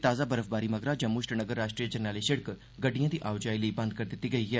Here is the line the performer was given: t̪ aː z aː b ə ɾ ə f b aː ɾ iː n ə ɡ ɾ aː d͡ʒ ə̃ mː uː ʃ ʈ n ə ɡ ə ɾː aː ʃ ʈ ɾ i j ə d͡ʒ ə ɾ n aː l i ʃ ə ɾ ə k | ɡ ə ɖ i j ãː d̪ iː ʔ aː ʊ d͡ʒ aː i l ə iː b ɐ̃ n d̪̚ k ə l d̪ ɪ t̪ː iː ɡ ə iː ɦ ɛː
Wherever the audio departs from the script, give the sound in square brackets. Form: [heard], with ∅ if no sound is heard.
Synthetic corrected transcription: t̪ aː z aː b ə ɾ ə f b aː ɾ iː [m] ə ɡ ɾ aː d͡ʒ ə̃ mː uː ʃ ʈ n ə ɡ ə ɾː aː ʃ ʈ ɾ i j ə d͡ʒ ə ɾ n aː l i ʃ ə [ɽ] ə k | ɡ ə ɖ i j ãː d̪ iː ʔ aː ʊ d͡ʒ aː i l ə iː b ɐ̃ n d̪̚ k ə [ɾ] d̪ ɪ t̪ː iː ɡ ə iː ɦ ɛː